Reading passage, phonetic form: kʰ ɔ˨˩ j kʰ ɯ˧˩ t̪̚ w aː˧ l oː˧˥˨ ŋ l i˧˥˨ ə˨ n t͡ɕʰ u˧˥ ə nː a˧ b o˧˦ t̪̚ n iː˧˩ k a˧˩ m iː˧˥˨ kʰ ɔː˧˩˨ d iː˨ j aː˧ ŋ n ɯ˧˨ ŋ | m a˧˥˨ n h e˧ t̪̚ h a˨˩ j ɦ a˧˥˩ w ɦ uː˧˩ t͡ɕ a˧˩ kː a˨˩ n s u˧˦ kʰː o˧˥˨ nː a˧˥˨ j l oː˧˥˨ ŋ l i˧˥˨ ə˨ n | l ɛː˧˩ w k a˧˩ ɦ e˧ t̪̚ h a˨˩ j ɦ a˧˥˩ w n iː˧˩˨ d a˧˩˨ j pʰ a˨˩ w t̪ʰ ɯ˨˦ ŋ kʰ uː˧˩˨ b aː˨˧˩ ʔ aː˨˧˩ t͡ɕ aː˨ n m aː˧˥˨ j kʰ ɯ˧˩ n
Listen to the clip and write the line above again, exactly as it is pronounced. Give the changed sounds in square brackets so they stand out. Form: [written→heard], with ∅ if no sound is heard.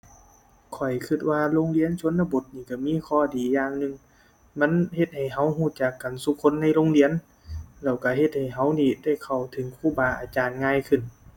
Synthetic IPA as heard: kʰ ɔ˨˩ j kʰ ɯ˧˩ t̪̚ w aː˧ l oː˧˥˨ ŋ l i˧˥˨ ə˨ n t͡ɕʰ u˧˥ ə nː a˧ b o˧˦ t̪̚ n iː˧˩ k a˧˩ m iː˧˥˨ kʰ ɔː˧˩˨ d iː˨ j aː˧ ŋ n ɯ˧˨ ŋ | m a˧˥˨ n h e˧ t̪̚ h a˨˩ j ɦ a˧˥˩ w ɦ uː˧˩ t͡ɕ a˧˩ kː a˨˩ n s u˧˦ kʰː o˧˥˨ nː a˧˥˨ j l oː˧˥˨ ŋ l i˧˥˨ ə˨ n | l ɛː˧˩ w k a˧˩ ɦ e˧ t̪̚ h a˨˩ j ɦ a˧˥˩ w n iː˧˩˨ d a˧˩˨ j [pʰ→kʰ] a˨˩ w t̪ʰ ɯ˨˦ ŋ kʰ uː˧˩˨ b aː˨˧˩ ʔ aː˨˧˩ t͡ɕ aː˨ n [m→ŋ] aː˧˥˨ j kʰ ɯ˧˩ n